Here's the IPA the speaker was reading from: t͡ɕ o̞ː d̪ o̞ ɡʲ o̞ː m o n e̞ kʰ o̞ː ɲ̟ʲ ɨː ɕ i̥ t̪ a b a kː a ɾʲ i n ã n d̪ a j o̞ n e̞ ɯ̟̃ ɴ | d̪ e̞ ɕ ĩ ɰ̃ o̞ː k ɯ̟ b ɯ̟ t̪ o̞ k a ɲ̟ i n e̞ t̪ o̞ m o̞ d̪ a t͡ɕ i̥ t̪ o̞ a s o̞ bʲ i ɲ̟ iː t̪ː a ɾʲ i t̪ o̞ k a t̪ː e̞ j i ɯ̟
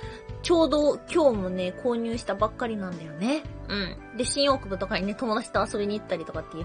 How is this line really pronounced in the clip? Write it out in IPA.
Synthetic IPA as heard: t͡ɕ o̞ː d̪ o̞ kʲ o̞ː m o n e̞ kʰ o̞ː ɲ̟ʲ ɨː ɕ i̥ t̪ a b a kː a ɾʲ i n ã n d̪ a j o̞ n e̞ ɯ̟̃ ɴ | d̪ e̞ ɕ ĩ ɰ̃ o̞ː k ɯ̟ b ɯ̟ t̪ o̞ k a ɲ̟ i n e̞ t̪ o̞ m o̞ d̪ a t͡ɕ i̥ t̪ o̞ a s o̞ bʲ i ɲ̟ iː t̪ː a ɾʲ i t̪ o̞ k a t̪ː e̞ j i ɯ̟